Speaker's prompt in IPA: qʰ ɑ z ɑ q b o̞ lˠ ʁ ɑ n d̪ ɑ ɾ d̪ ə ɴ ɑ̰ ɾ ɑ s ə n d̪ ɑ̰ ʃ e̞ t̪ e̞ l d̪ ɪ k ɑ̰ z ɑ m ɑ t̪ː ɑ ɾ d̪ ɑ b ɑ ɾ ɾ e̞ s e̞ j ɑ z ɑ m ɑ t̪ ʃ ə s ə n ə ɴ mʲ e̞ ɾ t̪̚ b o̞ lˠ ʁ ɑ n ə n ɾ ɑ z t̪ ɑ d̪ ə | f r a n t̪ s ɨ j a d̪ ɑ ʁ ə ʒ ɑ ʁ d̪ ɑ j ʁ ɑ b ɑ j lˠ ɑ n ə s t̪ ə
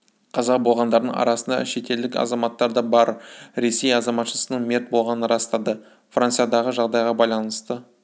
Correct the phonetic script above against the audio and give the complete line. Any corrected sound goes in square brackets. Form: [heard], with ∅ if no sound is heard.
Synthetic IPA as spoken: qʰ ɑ z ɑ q b o̞ lˠ ʁ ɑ n d̪ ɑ ɾ d̪ ə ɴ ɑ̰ ɾ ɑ s ə n d̪ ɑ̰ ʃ e̞ t̪ e̞ l d̪ ɪ k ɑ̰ z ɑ m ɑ t̪ː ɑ ɾ d̪ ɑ b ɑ ɾ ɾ e̞ s e̞ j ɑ z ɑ m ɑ t̪ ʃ ə s ə n ə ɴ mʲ e̞ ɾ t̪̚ b o̞ lˠ ʁ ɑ n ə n ɾ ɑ [s] t̪ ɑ d̪ ə | f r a n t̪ s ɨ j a d̪ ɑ ʁ ə ʒ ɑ ʁ d̪ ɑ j ʁ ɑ b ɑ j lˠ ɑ n ə s t̪ ə

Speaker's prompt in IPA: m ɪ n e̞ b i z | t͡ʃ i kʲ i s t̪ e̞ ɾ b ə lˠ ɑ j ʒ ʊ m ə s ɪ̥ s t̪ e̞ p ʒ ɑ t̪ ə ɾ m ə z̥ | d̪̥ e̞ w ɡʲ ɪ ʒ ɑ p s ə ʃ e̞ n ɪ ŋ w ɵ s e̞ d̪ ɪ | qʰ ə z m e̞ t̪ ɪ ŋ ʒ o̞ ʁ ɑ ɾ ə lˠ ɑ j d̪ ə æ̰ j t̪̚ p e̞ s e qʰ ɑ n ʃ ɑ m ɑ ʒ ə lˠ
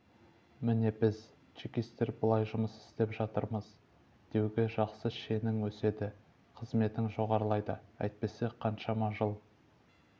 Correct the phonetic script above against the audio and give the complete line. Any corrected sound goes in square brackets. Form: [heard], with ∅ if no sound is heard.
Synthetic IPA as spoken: m ɪ n e̞ b [ɪ] z | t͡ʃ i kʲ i s t̪ e̞ ɾ b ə lˠ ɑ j ʒ ʊ m ə s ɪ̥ s t̪ e̞ p ʒ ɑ t̪ ə ɾ m ə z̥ | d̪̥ e̞ w ɡʲ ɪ ʒ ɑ [q] s ə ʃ e̞ n ɪ ŋ w ɵ s e̞ d̪ ɪ | qʰ ə z m e̞ t̪ ɪ ŋ ʒ o̞ ʁ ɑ ɾ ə lˠ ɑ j d̪ ə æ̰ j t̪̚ p e̞ s e qʰ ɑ n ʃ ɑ m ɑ ʒ ə lˠ

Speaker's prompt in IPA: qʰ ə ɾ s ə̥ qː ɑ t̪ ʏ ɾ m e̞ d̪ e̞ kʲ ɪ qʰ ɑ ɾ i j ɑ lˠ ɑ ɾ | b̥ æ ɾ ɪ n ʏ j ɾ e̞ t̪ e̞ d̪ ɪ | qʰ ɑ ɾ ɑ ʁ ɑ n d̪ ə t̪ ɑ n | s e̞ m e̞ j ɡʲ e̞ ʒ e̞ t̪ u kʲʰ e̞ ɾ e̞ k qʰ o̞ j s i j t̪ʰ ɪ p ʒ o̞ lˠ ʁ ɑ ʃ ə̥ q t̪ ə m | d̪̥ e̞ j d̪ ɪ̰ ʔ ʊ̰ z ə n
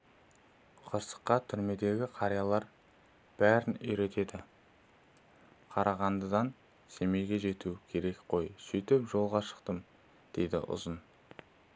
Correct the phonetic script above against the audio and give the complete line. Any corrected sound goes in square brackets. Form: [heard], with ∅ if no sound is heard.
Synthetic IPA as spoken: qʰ ə ɾ s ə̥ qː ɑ [t̪ʰ] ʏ ɾ m e̞ d̪ e̞ [ɡʲ] ɪ qʰ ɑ ɾ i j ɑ lˠ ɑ ɾ | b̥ æ ɾ ɪ n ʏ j ɾ e̞ t̪ e̞ d̪ ɪ | qʰ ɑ ɾ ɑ ʁ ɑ n d̪ ə [d̪] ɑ n | s e̞ m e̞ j ɡʲ e̞ ʒ e̞ t̪ u kʲʰ e̞ ɾ e̞ k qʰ o̞ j s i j [t̪] ɪ p ʒ o̞ lˠ ʁ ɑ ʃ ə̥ q t̪ ə m | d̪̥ e̞ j d̪ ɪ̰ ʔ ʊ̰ z ə n

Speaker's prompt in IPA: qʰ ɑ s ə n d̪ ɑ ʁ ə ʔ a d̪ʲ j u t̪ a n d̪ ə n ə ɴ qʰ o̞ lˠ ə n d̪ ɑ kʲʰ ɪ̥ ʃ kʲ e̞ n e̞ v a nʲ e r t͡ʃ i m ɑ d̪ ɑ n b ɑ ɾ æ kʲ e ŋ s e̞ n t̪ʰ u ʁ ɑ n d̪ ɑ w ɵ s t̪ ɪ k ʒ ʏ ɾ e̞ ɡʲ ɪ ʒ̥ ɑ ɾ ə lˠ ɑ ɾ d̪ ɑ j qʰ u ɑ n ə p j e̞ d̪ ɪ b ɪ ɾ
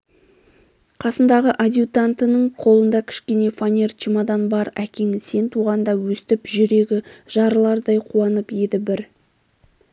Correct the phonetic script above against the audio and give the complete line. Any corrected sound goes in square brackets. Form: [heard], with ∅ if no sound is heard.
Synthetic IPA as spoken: qʰ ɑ s ə n d̪ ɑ ʁ ə ʔ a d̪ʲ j u t̪ a n [t̪] ə n ə ɴ qʰ o̞ lˠ ə n d̪ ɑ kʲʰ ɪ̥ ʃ kʲ e̞ n e̞ [f] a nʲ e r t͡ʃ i m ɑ d̪ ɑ n b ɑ ɾ æ kʲ e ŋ s e̞ n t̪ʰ u ʁ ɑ n d̪ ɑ w ɵ s t̪ ɪ [p] ʒ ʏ ɾ e̞ ɡʲ ɪ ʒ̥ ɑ ɾ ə lˠ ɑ ɾ d̪ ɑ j qʰ u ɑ n ə p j e̞ d̪ ɪ b ɪ ɾ

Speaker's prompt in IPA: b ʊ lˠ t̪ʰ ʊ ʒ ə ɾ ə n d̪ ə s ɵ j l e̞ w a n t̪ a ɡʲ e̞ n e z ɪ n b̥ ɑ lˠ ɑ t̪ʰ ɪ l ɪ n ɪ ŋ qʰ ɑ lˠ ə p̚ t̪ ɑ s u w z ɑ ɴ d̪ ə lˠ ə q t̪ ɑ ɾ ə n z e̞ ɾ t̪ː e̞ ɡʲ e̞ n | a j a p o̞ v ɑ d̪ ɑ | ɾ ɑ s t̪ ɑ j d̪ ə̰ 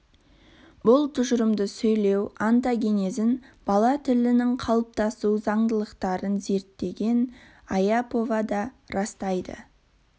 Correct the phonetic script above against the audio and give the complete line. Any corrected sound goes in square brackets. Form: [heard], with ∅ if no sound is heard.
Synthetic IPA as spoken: b ʊ lˠ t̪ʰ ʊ ʒ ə ɾ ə [m] d̪ ə s ɵ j l e̞ w a n t̪ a ɡʲ e̞ n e z ɪ n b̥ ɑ lˠ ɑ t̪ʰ ɪ l ɪ n ɪ ŋ qʰ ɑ lˠ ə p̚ t̪ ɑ s u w z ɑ ɴ d̪ ə lˠ ə q t̪ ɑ ɾ ə n z e̞ ɾ t̪ː e̞ ɡʲ e̞ n | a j a p o̞ v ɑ d̪ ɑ | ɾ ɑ s t̪ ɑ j d̪ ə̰

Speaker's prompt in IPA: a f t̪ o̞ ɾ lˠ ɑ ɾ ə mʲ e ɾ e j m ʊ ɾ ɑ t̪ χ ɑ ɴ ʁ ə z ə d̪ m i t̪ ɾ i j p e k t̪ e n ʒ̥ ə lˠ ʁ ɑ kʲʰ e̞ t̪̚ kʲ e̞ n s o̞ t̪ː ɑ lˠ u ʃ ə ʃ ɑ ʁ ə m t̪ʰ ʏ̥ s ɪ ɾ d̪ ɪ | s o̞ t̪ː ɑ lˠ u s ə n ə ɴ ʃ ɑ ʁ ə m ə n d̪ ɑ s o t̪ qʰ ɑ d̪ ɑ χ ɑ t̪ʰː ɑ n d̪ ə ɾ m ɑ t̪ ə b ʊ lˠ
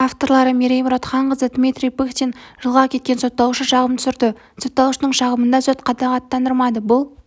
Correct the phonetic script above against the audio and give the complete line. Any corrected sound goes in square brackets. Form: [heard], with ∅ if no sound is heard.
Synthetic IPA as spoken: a f t̪ o̞ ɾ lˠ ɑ ɾ ə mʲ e ɾ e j m ʊ ɾ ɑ t̪ χ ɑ ɴ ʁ ə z ə d̪ m i t̪ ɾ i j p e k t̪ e n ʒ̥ ə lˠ ʁ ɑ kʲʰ e̞ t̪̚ kʲ e̞ n s o̞ t̪ː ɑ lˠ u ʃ ə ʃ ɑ ʁ ə m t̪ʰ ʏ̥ s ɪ ɾ d̪ ɪ | s o̞ t̪ː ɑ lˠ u [ʃ] ə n ə ɴ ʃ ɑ ʁ ə m ə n d̪ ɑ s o t̪ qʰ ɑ d̪ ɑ [ʁ] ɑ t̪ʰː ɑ n d̪ ə ɾ m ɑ [d̪] ə b ʊ lˠ

